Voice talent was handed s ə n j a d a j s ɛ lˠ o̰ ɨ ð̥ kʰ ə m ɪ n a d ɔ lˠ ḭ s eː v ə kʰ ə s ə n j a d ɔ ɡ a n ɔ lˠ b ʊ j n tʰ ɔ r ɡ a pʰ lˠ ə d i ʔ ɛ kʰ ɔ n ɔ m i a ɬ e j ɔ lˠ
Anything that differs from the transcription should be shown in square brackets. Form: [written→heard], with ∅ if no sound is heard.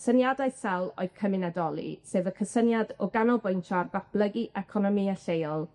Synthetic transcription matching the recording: s ə n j a d a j s ɛ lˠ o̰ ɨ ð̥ kʰ ə m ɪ n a d ɔ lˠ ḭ s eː v ə kʰ ə s ə n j a d ɔ ɡ a n ɔ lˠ b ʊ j n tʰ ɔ r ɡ a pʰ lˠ ə [d→ɡ] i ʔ ɛ kʰ ɔ n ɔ m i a ɬ e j ɔ lˠ